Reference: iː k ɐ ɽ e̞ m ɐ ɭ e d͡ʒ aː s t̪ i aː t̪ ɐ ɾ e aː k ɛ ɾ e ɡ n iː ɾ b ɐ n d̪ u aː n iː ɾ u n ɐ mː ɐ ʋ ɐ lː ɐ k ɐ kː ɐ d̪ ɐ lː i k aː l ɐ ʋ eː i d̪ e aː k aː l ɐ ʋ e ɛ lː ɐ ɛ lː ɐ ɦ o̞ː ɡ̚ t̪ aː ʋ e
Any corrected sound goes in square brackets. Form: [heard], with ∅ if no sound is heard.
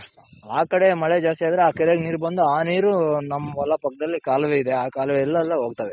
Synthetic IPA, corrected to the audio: [aː] k ɐ ɽ e̞ m ɐ ɭ e d͡ʒ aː s t̪ i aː [d̪] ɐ ɾ e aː k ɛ ɾ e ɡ n iː ɾ b ɐ n d̪ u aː n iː ɾ u n ɐ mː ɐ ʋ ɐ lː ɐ [p] ɐ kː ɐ d̪ ɐ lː i k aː l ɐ ʋ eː i d̪ e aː k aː l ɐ ʋ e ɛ lː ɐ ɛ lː ɐ ɦ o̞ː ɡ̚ t̪ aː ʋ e